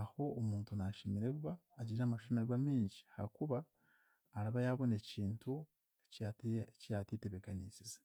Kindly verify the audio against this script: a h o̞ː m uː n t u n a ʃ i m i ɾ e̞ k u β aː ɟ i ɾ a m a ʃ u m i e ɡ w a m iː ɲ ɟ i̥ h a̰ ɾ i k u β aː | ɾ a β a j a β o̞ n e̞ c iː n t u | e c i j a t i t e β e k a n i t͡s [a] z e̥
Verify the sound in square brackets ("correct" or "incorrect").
incorrect